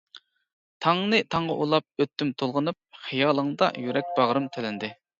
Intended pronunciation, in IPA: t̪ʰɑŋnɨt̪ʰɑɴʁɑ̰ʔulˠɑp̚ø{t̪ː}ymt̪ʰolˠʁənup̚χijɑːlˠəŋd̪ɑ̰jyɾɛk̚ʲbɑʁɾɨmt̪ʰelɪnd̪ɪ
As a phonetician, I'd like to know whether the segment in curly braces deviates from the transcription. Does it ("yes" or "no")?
no